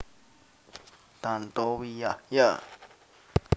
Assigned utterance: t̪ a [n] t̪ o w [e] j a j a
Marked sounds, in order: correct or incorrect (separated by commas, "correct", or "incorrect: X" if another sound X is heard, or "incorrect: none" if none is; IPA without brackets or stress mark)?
correct, incorrect: i